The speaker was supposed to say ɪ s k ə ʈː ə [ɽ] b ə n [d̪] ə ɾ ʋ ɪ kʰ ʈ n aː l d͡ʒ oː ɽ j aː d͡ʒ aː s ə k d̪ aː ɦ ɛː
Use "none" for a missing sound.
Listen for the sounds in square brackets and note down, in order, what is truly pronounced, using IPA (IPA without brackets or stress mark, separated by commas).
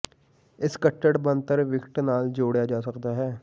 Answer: ɽ, t̪